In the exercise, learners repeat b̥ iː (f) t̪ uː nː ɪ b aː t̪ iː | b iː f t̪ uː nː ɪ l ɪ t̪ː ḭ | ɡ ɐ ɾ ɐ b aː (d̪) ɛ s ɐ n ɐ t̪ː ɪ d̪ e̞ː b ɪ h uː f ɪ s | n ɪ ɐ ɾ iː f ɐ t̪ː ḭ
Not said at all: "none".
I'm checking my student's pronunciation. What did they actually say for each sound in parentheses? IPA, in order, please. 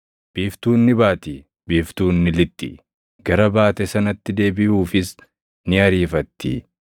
f, t̪

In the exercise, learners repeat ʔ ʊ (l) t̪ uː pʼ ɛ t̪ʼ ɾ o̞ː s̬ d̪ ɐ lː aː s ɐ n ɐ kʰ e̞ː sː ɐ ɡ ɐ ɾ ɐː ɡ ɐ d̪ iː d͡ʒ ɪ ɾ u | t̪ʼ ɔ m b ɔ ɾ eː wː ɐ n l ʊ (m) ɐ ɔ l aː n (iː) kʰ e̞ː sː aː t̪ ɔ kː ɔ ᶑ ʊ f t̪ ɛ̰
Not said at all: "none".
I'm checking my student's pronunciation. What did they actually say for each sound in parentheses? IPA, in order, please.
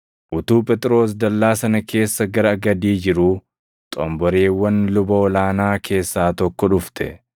none, b, aː

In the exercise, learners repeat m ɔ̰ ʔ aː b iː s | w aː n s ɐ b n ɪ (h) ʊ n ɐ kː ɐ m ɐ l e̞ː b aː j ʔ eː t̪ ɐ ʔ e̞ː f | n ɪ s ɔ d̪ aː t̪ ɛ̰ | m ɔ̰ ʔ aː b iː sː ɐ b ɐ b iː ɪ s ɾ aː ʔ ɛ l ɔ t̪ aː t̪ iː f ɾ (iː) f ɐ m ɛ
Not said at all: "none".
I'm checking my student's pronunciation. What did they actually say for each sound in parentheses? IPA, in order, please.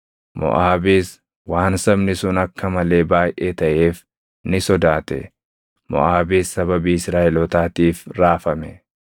s, aː

